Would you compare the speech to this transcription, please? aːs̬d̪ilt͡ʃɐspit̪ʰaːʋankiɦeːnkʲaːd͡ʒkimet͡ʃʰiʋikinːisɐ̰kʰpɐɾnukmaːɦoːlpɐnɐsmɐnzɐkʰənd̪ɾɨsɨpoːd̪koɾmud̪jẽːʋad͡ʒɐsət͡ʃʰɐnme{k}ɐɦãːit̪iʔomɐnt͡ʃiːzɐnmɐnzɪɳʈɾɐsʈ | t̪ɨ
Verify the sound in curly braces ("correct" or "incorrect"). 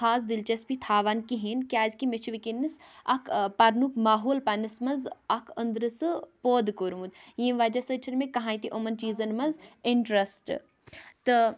correct